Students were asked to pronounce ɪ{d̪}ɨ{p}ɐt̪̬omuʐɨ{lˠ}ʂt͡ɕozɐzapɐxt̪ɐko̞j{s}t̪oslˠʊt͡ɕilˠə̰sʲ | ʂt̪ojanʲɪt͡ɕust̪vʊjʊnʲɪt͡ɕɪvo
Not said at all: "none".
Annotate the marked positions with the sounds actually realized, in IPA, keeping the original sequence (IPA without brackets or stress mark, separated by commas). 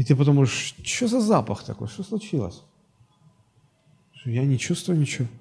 t̪, p, none, ʂ